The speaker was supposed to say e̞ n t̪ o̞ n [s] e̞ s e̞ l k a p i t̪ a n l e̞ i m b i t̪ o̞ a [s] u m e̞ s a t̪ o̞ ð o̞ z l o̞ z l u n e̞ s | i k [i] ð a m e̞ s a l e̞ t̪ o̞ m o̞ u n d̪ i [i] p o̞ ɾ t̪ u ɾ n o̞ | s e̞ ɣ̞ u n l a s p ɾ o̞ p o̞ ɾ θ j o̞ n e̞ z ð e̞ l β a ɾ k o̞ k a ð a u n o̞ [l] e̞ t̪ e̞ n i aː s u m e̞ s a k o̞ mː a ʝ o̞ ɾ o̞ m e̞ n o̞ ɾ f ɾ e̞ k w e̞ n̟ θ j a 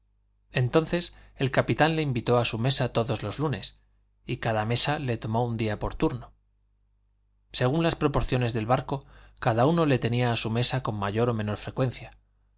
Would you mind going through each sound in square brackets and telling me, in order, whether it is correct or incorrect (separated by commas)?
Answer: incorrect, correct, incorrect, incorrect, correct